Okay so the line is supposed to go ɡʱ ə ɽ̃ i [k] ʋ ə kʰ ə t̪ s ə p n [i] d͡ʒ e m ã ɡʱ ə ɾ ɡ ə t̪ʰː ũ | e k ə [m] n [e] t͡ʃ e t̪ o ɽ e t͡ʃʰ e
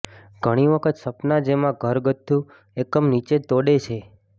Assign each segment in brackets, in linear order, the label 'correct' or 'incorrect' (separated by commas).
incorrect, incorrect, correct, incorrect